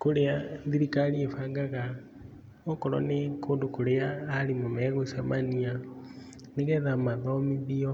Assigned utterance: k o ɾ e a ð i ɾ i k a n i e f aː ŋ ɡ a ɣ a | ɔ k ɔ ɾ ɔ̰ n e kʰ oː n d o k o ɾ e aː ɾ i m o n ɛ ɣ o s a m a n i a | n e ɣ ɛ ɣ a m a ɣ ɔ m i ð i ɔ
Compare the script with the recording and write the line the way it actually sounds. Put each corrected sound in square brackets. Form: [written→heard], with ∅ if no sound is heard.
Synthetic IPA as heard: k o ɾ e a ð i ɾ i k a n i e f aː ŋ ɡ a ɣ a | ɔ k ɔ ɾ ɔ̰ n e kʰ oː n d o k o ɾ e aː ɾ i m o [n→m] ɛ ɣ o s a m a n i a | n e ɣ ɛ [ɣ→ð] a m a [ɣ→ð] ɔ m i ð i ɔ